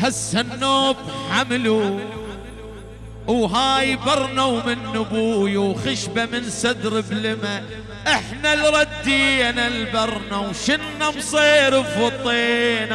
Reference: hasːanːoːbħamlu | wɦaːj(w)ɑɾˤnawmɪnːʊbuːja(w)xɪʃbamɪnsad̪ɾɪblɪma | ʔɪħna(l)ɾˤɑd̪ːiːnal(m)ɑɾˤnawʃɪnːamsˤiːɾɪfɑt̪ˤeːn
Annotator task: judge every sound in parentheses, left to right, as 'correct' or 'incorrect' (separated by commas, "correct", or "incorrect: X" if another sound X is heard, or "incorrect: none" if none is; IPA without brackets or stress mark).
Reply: incorrect: b, correct, correct, incorrect: b